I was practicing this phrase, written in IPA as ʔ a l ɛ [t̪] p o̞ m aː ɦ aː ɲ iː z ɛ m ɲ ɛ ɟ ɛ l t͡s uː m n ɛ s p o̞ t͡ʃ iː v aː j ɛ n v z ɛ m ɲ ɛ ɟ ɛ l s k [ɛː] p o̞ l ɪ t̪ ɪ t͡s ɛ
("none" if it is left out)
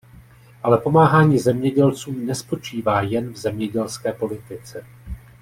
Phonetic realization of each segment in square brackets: none, ɛː

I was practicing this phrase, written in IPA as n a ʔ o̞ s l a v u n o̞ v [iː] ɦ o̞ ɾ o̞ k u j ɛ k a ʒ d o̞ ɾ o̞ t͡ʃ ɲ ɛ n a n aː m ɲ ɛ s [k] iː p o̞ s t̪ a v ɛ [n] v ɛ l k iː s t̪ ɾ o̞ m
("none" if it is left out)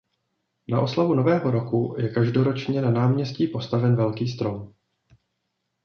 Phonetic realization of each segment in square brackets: ɛː, c, n

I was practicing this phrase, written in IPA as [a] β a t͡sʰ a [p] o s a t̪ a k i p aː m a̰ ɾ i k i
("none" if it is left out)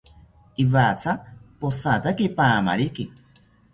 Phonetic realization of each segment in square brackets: i, p

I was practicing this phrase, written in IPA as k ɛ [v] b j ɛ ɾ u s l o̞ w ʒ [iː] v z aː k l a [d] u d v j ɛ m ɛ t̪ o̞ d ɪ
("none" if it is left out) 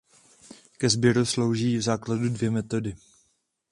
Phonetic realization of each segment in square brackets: z, iː, d

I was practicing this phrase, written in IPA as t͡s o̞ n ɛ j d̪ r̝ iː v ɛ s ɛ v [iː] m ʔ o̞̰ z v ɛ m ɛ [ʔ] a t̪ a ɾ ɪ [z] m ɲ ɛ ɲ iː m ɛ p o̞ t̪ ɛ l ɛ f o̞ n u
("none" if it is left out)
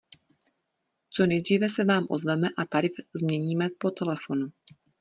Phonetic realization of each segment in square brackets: aː, ʔ, z

